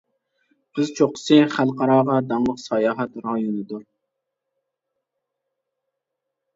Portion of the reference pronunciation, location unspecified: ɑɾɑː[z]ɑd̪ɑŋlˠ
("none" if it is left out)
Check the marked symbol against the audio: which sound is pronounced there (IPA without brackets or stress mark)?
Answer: ʁ